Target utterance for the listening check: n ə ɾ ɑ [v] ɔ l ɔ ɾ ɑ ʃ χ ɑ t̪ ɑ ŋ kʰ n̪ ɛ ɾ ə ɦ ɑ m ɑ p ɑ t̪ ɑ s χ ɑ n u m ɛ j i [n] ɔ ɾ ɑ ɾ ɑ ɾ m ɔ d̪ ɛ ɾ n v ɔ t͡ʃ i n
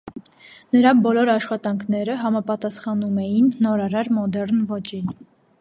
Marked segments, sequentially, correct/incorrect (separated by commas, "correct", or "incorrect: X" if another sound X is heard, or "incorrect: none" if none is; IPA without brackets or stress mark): incorrect: b, incorrect: nː